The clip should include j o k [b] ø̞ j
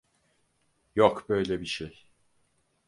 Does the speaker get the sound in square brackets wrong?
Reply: no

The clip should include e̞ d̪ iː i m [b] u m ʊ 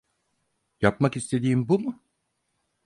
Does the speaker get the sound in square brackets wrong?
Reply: no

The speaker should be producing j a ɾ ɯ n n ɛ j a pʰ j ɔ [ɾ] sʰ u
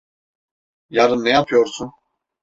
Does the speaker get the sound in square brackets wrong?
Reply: no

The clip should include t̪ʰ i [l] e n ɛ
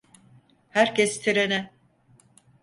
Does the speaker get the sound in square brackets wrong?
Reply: yes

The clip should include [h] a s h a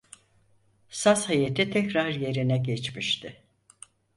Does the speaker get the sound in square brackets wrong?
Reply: yes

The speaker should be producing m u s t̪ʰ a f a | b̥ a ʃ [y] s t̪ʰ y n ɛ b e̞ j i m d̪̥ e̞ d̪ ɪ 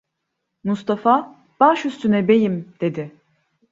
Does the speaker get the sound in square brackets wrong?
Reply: no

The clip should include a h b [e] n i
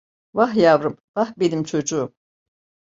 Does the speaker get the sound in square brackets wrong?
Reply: no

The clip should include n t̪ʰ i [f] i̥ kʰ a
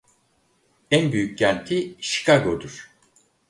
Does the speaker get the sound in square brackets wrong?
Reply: yes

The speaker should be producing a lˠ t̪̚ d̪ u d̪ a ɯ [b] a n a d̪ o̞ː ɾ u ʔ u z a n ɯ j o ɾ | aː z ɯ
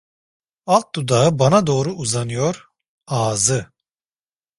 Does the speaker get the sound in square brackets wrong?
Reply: no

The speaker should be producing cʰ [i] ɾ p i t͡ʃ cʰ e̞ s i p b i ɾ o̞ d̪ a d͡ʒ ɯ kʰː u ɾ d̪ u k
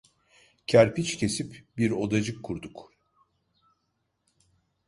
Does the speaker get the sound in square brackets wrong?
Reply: yes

